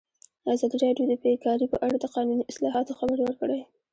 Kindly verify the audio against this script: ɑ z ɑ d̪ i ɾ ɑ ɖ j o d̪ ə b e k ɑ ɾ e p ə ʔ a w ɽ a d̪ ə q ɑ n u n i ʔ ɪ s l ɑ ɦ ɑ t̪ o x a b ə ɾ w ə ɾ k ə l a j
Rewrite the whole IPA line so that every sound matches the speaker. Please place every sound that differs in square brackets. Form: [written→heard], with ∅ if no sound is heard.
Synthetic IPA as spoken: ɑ z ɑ d̪ i ɾ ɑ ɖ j o d̪ ə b e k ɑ ɾ [e→i] p ə ʔ a [w→∅] ɽ a d̪ ə q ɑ n u n i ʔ ɪ s l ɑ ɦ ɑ t̪ o x a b ə ɾ w ə ɾ k ə [l→ɽ] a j